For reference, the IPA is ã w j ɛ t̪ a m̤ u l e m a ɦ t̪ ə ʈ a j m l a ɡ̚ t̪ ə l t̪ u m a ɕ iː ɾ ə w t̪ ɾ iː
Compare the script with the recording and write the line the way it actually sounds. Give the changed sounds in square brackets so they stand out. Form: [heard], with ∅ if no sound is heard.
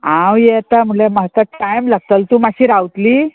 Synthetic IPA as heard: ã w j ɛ t̪ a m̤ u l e m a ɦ t̪ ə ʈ a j m l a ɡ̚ t̪ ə l t̪ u m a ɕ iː ɾ [a] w t̪ [l] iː